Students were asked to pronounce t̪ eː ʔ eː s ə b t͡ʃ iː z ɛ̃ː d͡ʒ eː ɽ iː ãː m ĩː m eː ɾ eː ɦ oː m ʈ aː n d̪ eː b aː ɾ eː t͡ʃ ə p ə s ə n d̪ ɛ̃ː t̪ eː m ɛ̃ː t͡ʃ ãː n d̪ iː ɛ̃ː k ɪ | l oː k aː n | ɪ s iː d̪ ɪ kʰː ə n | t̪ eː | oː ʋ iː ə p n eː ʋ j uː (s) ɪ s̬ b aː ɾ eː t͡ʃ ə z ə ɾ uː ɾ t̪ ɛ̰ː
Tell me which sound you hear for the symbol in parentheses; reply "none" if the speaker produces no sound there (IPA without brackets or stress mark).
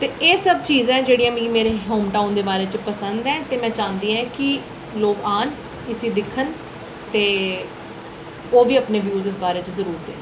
z